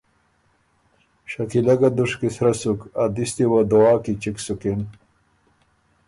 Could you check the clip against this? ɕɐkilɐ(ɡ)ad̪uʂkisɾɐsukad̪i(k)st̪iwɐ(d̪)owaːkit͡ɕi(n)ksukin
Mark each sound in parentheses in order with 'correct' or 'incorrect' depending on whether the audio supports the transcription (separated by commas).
correct, incorrect, correct, incorrect